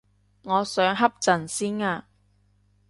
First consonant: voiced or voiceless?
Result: voiced